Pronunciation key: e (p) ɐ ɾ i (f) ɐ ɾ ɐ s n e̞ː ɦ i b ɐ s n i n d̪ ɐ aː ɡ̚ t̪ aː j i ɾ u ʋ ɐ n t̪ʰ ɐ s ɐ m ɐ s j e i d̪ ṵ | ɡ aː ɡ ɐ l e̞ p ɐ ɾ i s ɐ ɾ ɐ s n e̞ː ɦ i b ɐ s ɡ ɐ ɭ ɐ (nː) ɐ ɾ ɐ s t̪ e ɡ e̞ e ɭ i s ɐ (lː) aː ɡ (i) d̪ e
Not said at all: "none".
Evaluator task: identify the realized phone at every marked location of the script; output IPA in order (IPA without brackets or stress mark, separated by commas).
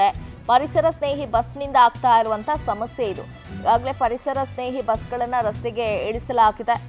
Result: p, s, nː, l, i